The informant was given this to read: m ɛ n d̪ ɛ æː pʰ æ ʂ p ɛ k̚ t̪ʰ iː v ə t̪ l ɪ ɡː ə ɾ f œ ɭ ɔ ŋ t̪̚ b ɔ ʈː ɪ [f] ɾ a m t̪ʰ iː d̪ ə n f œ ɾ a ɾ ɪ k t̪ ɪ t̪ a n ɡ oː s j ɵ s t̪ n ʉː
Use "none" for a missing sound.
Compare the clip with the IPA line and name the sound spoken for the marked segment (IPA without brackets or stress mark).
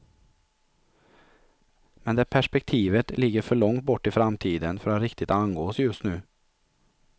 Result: f